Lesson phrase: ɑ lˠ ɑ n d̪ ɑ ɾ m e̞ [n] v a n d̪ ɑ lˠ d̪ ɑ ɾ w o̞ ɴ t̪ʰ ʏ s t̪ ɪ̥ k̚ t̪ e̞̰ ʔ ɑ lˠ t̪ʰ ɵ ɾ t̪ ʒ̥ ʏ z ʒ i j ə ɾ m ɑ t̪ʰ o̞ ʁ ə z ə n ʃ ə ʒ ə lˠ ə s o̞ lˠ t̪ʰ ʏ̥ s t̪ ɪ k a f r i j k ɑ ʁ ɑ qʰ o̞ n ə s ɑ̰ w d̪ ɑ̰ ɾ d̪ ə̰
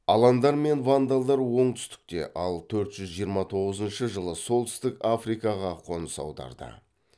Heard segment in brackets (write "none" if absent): n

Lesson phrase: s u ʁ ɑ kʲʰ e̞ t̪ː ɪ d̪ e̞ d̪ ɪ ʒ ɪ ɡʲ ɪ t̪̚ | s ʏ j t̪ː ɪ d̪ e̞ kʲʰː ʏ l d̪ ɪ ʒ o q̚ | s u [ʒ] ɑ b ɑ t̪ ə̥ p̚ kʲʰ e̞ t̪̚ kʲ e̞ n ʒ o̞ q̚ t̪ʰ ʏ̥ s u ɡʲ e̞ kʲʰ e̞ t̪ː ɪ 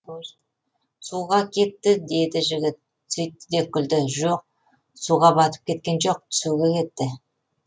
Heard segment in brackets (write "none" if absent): ʁ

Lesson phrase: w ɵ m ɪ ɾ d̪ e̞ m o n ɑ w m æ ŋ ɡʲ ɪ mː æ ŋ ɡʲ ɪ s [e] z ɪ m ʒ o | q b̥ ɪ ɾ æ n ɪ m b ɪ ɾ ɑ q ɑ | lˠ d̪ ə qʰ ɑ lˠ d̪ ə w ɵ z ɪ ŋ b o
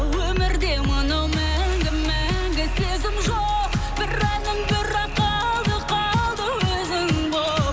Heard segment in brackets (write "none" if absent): e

